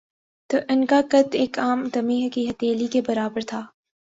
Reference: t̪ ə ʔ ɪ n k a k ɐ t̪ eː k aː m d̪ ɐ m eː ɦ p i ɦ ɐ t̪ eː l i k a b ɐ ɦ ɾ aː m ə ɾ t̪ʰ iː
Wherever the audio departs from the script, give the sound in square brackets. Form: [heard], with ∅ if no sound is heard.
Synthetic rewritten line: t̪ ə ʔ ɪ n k a k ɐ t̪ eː k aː m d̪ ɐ m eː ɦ [k] i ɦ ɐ t̪ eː l i k [e] b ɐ [∅] ɾ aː [b] ə ɾ t̪ʰ [aː]